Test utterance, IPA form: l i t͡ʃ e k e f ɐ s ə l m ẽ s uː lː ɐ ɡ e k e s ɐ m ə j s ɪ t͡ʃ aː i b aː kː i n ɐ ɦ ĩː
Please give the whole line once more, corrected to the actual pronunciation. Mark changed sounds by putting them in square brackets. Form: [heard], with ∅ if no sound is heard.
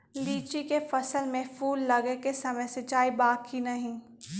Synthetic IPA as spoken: l [iː] t͡ʃ [i] k e f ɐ s ə l m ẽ [f] uː lː ɐ ɡ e k e s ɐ m ə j s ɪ t͡ʃ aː i b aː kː i n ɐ ɦ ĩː